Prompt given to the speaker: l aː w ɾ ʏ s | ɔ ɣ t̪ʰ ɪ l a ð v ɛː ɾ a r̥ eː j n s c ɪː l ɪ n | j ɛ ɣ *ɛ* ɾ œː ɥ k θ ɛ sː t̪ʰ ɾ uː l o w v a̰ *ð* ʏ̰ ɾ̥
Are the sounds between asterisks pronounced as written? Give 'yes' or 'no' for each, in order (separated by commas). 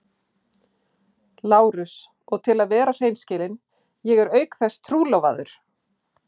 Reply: yes, yes